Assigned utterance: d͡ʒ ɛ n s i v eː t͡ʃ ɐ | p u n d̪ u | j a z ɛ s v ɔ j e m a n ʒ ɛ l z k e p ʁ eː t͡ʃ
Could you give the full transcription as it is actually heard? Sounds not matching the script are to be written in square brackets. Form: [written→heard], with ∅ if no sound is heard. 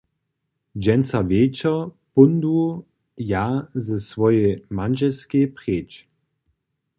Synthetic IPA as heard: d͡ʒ ɛ n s [i→a] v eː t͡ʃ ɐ | p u n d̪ u | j a z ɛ s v ɔ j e m a n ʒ ɛ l [z→s] k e p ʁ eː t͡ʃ

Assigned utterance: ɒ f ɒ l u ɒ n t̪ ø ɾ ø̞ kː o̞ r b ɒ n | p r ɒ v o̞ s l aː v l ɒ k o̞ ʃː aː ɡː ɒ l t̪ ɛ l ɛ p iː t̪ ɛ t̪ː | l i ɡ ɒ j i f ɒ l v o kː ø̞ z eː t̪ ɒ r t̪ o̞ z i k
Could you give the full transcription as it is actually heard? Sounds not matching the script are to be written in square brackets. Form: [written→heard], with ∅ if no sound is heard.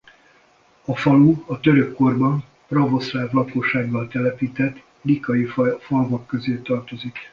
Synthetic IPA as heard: ɒ f ɒ l u ɒ [n→∅] t̪ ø ɾ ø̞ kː o̞ r b ɒ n | p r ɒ v o̞ s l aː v l ɒ k o̞ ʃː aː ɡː ɒ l t̪ ɛ l ɛ p iː t̪ ɛ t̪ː | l i [ɡ→k] ɒ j i f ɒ l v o kː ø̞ z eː t̪ ɒ r t̪ o̞ z i k

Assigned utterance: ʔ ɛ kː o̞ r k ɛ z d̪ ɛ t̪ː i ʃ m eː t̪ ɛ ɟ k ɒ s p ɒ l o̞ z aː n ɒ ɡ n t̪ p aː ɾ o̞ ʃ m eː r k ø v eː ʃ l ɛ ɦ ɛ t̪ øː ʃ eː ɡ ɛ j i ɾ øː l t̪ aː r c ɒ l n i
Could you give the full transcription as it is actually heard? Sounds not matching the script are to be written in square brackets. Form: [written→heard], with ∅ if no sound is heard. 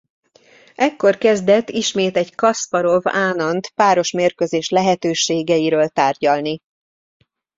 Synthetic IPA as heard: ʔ ɛ kː o̞ r k ɛ z d̪ ɛ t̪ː i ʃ m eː t̪ ɛ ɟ k ɒ s p ɒ [l→ɾ] o̞ [z→v] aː n ɒ [ɡ→∅] n t̪ p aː ɾ o̞ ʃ m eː r k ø [v→z] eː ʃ l ɛ ɦ ɛ t̪ øː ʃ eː ɡ ɛ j i ɾ øː l t̪ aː r [c→ɟ] ɒ l n i

